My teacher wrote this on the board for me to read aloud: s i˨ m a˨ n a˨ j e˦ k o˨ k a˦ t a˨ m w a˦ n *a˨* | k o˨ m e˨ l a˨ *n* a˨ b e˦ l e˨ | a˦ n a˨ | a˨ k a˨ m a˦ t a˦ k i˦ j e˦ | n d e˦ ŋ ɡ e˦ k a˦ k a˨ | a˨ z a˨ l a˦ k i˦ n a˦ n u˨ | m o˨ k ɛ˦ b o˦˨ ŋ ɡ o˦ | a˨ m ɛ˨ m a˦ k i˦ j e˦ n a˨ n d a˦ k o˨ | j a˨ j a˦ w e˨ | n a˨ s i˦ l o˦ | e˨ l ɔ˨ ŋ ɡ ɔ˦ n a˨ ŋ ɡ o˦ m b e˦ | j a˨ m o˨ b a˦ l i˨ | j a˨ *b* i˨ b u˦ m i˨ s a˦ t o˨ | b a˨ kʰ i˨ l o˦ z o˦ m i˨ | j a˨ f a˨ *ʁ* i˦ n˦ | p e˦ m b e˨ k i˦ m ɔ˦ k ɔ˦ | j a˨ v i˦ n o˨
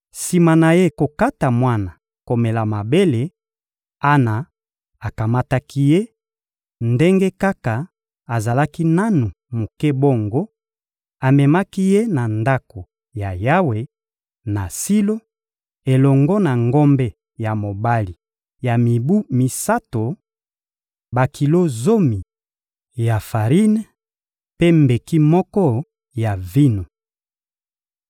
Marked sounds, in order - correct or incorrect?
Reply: correct, incorrect, incorrect, correct

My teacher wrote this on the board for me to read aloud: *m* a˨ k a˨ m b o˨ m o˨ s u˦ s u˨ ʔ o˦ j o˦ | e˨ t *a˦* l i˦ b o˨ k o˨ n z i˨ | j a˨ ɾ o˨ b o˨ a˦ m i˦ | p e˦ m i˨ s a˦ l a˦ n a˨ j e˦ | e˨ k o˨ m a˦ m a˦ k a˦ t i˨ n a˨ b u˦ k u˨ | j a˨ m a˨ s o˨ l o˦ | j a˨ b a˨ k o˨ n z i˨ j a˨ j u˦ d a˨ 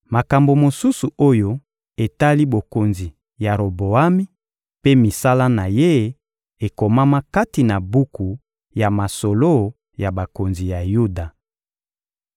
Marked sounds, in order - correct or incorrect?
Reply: correct, correct

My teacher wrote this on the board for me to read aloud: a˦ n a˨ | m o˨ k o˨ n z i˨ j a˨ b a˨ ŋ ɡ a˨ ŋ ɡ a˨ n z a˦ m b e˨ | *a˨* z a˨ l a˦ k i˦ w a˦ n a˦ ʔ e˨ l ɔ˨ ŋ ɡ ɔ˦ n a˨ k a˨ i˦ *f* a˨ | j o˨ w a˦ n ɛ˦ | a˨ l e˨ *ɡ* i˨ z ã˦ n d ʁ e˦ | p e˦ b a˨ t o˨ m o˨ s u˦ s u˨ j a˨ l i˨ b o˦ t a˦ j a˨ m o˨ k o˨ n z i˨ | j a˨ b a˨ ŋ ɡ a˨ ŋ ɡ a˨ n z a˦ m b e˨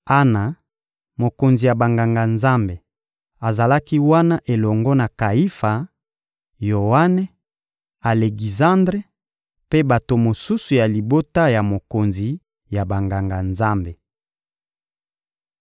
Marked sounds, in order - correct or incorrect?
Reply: correct, correct, correct

